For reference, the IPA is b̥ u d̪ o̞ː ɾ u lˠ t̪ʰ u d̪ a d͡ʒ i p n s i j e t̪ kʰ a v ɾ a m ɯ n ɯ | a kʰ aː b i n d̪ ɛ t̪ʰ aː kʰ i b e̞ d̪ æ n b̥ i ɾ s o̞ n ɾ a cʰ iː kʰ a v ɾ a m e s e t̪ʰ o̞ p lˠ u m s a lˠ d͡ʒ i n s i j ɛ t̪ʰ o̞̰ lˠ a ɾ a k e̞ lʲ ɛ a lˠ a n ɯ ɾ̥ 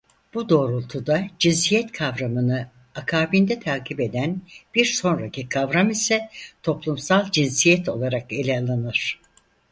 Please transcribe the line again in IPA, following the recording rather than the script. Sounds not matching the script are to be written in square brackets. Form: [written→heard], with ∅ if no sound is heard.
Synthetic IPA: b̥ u d̪ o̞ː ɾ u lˠ t̪ʰ u d̪ a d͡ʒ i [p→∅] n s i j [e→ɛ] t̪ kʰ a v ɾ a m ɯ n ɯ | a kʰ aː b i n d̪ ɛ t̪ʰ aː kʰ i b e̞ d̪ æ n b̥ i ɾ s o̞ n ɾ a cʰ [iː→i] kʰ a v ɾ a m [e→i] s [e→ɛ] t̪ʰ o̞ p lˠ u m s a lˠ d͡ʒ i n s i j ɛ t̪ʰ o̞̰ lˠ a ɾ a k e̞ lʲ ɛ a lˠ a n ɯ ɾ̥